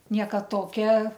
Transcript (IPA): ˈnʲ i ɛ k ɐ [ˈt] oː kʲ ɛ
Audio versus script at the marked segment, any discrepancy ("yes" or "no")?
no